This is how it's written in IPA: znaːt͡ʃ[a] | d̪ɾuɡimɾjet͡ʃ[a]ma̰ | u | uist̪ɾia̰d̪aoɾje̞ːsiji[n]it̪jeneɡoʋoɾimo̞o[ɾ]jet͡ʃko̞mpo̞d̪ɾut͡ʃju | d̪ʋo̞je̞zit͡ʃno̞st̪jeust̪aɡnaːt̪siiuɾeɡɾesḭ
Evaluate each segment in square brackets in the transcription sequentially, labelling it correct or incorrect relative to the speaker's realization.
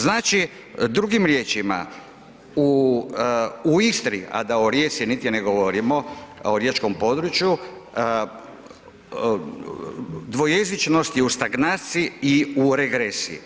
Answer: incorrect: i, incorrect: i, correct, correct

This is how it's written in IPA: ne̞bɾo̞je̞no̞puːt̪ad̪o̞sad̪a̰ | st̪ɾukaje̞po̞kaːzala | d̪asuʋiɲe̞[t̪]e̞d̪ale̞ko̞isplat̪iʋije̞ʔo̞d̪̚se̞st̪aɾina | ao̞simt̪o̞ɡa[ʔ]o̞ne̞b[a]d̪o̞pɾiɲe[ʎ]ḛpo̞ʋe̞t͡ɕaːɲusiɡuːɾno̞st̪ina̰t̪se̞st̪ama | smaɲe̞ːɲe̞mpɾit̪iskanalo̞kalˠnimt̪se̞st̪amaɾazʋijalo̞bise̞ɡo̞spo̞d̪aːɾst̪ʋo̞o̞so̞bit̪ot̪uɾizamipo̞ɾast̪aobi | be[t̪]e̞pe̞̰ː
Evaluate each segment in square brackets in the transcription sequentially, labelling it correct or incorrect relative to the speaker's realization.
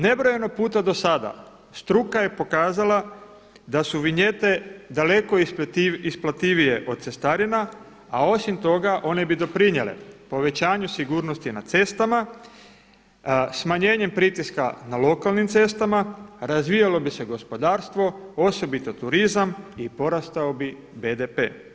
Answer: correct, correct, incorrect: i, incorrect: l, incorrect: d̪

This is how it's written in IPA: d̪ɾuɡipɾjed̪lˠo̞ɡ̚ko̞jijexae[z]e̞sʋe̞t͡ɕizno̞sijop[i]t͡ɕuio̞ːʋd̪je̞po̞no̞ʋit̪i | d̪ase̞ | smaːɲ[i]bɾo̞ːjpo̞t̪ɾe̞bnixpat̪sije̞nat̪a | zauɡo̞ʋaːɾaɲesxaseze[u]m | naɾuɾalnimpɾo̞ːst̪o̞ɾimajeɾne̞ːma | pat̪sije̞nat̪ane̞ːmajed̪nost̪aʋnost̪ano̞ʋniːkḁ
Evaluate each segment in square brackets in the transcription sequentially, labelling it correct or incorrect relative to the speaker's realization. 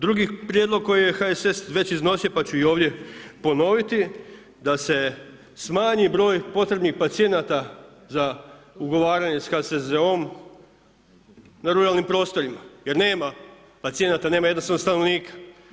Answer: incorrect: s, incorrect: a, correct, incorrect: o

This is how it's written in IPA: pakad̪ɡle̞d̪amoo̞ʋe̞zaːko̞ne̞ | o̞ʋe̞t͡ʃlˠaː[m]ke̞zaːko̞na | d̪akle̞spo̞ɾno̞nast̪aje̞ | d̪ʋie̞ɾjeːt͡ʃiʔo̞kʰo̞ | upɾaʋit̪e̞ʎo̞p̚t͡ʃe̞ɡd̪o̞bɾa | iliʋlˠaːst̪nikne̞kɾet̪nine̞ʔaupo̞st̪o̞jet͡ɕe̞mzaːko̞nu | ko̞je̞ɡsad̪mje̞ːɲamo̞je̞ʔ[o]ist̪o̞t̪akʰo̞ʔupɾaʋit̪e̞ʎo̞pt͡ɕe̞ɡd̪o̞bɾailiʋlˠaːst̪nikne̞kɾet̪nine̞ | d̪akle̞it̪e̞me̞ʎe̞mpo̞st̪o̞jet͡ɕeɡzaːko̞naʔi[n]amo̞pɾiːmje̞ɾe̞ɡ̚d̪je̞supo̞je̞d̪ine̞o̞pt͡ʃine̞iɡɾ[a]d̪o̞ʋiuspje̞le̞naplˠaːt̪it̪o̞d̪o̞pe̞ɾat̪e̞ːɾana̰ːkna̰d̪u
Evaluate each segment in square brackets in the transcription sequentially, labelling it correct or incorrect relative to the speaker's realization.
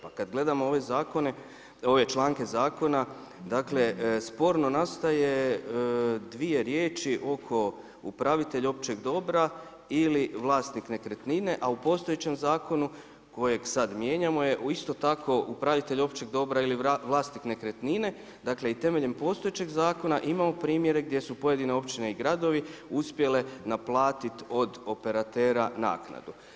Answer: incorrect: ŋ, incorrect: u, incorrect: m, correct

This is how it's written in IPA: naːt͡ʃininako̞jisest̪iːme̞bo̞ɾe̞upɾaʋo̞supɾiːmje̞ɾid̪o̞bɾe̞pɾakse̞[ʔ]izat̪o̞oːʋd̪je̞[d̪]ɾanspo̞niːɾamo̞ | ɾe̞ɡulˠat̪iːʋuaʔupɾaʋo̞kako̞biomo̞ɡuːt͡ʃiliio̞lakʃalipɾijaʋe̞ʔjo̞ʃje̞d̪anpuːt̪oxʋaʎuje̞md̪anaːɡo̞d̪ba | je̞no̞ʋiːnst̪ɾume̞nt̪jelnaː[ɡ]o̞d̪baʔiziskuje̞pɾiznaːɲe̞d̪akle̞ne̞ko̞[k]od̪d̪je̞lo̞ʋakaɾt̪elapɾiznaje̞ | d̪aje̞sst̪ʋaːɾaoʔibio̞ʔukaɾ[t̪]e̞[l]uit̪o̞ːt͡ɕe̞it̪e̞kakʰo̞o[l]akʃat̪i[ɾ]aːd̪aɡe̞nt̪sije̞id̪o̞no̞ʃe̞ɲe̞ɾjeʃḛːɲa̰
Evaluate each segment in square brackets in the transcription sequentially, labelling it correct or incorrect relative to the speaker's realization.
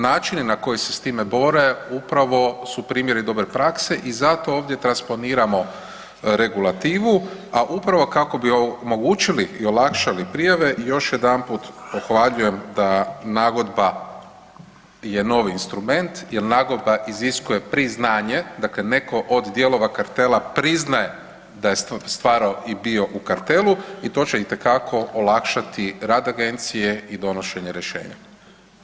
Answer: correct, incorrect: t̪, correct, incorrect: ʔ, correct, correct, correct, correct

